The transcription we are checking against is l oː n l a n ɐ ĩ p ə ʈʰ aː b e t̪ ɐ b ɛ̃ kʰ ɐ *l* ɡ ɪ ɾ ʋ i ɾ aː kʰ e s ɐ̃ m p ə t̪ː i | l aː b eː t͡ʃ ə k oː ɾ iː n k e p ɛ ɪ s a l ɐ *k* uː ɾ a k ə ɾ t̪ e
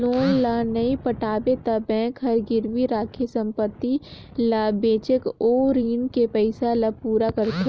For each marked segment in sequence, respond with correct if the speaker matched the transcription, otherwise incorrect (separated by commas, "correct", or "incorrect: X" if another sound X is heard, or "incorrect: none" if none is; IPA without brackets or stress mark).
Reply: incorrect: ɾ, incorrect: p